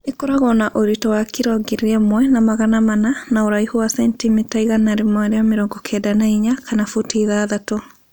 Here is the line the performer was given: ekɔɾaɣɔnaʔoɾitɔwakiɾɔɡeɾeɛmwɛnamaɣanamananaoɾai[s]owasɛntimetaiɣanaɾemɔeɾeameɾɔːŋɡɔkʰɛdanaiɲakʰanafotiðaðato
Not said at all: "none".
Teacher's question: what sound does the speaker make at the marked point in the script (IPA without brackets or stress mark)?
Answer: h